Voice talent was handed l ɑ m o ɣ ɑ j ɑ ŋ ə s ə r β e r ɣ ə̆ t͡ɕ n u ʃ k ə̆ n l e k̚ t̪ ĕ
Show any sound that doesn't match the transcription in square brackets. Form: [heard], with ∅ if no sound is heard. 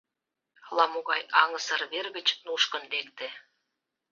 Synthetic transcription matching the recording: l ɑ m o ɣ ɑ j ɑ ŋ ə s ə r β e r ɣ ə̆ t͡ɕ n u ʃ k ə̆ n l e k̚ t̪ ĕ